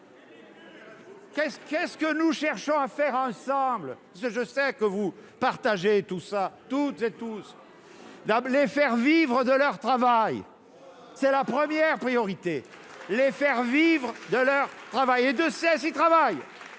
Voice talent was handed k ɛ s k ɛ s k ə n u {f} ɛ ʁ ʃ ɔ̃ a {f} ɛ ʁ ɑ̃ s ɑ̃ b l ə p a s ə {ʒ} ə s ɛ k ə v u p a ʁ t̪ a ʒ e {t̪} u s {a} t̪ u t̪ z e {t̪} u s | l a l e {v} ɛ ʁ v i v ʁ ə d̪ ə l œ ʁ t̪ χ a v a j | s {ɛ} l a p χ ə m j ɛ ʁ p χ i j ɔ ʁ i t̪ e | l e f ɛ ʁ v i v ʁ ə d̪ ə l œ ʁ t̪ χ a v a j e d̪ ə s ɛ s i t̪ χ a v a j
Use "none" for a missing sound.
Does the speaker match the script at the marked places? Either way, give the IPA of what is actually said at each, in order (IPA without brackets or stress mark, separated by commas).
ʃ, f, ʒ, t̪, a, t̪, f, ɛ